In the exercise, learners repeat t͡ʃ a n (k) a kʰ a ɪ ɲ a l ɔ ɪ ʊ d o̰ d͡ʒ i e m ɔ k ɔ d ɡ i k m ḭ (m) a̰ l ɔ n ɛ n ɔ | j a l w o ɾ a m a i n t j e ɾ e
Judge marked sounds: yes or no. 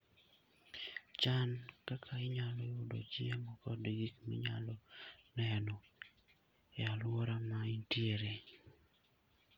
yes, no

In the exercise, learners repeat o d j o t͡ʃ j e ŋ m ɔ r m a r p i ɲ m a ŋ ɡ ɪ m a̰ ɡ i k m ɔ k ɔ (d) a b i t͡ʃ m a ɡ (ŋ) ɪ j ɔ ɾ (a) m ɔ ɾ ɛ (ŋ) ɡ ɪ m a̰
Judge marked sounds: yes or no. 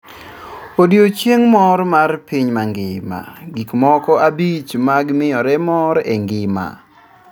no, no, no, yes

